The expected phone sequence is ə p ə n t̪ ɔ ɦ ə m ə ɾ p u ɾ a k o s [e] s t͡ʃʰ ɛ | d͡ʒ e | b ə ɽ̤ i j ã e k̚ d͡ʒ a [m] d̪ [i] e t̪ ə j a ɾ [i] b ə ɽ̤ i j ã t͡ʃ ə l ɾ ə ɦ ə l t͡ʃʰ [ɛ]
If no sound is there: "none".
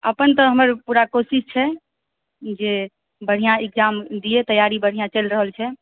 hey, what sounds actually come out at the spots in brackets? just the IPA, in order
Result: i, m, i, i, ɛ

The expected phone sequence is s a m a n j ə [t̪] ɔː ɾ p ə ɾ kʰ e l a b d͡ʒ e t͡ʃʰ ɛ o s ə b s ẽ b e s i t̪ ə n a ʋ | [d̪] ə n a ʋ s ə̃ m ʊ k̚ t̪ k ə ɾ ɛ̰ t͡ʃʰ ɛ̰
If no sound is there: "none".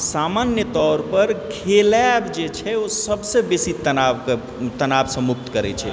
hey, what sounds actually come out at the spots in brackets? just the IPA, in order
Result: t̪, t̪

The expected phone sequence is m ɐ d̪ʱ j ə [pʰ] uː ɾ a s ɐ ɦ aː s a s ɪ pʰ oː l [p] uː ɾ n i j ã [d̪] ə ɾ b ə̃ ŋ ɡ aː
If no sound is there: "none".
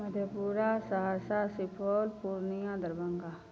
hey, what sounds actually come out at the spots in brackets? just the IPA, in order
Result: p, p, d̪

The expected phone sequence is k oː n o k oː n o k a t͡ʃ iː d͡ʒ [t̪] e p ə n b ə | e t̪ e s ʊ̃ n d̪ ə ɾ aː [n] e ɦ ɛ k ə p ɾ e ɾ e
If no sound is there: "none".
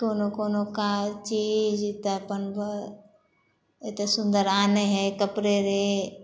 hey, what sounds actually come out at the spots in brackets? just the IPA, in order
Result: t̪, n

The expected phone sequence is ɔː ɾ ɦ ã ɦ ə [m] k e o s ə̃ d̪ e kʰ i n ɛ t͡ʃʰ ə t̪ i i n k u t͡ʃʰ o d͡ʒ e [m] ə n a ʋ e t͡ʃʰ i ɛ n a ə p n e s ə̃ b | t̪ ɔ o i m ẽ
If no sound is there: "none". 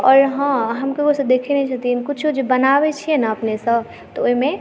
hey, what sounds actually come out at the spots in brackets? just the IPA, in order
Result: m, b

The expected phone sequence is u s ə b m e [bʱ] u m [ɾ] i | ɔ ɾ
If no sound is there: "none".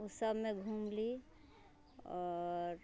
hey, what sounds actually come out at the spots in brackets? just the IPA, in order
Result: ɡʱ, l

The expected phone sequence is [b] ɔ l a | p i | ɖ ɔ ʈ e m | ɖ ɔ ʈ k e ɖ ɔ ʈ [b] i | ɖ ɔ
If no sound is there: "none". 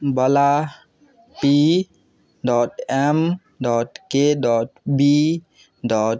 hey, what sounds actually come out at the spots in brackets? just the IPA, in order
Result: b, b

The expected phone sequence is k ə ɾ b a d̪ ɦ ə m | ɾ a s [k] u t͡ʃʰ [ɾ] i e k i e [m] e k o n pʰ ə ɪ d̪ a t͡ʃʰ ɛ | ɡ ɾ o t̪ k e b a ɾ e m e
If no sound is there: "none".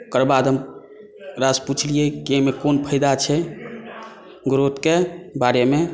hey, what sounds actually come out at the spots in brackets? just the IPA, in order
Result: p, l, m

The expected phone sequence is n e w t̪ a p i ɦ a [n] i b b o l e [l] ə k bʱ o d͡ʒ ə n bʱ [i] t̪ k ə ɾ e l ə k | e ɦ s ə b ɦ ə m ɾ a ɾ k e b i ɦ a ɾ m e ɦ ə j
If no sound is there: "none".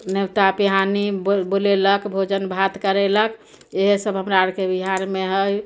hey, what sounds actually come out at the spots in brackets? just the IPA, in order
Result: n, l, a

